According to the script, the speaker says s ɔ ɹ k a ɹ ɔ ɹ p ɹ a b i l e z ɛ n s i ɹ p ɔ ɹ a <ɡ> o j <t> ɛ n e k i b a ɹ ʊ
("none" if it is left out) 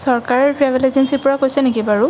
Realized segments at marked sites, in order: k, s

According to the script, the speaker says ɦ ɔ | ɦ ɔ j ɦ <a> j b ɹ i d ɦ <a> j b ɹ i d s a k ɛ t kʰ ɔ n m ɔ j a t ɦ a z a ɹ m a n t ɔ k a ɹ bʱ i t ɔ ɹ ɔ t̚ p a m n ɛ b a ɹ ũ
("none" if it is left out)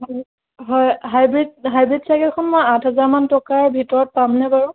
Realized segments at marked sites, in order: a, a

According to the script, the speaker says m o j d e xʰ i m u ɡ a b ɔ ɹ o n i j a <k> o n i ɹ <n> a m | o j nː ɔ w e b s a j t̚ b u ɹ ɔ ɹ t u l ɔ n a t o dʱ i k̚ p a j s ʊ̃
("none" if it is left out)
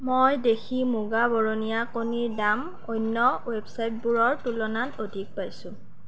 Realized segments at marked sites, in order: k, d

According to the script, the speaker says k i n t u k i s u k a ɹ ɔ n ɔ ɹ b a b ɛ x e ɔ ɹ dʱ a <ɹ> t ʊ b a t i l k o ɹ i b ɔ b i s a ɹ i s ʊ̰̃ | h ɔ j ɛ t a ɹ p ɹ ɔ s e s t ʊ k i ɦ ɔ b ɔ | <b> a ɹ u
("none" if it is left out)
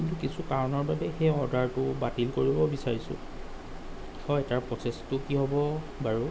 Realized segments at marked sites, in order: ɹ, b

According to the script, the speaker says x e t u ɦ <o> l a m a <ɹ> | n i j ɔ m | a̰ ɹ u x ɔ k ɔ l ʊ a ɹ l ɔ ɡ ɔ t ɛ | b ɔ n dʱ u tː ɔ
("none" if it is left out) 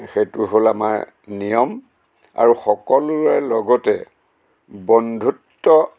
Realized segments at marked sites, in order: o, ɹ

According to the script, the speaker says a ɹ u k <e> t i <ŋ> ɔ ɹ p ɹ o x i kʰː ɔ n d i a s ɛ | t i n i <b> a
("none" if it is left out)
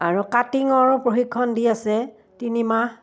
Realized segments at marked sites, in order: a, ŋ, m

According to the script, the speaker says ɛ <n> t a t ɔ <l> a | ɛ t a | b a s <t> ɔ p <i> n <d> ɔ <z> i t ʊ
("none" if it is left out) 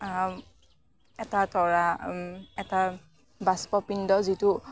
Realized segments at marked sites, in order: none, ɹ, p, i, d, z

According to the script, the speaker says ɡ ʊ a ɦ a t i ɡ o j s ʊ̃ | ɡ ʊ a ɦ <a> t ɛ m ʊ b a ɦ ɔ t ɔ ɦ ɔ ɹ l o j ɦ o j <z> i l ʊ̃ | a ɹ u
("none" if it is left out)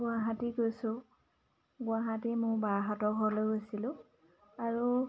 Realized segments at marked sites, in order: a, s

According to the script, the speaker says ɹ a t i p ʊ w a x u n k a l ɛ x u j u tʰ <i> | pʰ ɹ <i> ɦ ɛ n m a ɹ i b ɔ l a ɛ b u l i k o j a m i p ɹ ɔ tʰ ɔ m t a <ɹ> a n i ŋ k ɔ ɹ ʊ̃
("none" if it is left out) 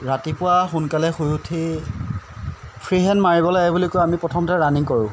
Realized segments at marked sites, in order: i, i, ɹ

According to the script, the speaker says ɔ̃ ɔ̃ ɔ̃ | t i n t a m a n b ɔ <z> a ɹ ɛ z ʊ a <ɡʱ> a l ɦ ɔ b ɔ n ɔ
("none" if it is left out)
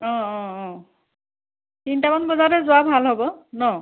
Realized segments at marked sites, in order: z, bʱ

